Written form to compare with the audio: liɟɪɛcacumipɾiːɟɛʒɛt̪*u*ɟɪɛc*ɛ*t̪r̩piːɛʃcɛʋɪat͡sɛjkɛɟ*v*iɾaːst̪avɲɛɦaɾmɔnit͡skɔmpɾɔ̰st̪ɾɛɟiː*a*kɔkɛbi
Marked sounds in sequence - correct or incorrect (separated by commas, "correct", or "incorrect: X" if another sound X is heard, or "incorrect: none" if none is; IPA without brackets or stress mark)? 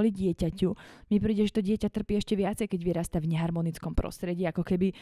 incorrect: ɔ, incorrect: a, incorrect: ʋ, correct